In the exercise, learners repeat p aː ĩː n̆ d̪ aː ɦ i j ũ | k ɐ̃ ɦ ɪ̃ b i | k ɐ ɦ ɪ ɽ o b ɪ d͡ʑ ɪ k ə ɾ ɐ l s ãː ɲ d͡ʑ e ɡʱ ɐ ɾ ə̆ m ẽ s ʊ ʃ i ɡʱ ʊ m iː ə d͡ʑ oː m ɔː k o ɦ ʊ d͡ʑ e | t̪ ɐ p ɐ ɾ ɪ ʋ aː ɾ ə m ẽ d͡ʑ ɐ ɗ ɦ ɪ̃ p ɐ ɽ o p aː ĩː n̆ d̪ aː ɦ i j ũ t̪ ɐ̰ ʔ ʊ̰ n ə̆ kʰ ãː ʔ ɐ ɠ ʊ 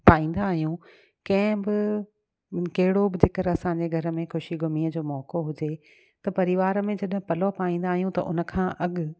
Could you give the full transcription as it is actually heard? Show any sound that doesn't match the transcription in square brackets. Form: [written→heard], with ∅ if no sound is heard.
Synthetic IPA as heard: p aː ĩː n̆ d̪ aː ɦ i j ũ | k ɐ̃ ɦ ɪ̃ b [i→ɪ] | k ɐ ɦ ɪ ɽ o b ɪ d͡ʑ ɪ k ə ɾ ɐ [l→∅] s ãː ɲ d͡ʑ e ɡʱ ɐ ɾ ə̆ m ẽ [s→x] ʊ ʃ i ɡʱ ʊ m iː ə d͡ʑ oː m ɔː k o ɦ ʊ d͡ʑ e | t̪ ɐ p ɐ ɾ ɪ ʋ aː ɾ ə m ẽ d͡ʑ ɐ ɗ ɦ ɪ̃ p ɐ [ɽ→l] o p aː ĩː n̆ d̪ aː ɦ i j ũ t̪ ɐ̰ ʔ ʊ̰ n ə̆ kʰ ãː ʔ ɐ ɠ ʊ